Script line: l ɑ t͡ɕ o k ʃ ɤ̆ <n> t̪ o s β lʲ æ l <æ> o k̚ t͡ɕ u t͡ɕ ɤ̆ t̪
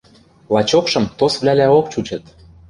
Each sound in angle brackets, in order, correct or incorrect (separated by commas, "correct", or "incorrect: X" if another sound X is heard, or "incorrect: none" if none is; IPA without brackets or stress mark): incorrect: m, correct